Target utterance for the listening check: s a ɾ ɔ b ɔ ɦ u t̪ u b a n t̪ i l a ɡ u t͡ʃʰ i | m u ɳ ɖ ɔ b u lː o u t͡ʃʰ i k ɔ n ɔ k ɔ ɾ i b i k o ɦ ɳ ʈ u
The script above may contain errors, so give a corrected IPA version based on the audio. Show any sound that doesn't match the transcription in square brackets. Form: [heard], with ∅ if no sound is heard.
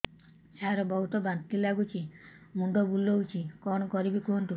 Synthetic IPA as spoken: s a ɾ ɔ b ɔ ɦ u t̪ [ɔ] b a n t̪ i l a ɡ u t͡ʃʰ i | m u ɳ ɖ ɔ b u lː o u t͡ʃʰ i k ɔ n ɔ k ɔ ɾ i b i k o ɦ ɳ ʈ u